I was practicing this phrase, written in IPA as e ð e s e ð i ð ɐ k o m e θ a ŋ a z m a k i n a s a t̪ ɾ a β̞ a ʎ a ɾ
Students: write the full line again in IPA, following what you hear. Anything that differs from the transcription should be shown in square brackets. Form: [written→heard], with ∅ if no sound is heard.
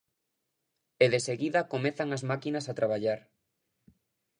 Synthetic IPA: e ð e s e [ð→ɣ] i ð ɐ k o m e θ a ŋ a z m a k i n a s a t̪ ɾ a β̞ a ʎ a ɾ